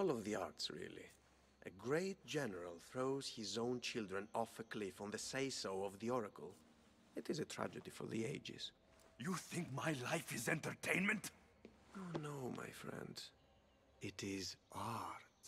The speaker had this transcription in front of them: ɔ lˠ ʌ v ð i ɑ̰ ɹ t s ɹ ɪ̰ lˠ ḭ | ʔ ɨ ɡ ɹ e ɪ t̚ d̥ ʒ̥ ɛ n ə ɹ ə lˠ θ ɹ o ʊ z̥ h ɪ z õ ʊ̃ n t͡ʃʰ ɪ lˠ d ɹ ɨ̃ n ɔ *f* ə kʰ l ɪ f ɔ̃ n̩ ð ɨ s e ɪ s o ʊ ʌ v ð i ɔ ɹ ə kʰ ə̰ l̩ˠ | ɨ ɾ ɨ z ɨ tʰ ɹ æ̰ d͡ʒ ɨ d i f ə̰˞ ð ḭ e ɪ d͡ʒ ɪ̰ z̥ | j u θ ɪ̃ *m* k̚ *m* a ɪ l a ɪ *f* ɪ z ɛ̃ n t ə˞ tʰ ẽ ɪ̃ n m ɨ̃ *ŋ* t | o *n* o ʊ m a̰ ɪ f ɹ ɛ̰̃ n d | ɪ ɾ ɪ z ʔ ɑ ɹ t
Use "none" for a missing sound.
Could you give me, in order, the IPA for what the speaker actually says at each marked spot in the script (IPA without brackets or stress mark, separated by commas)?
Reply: f, ŋ, m, f, n, n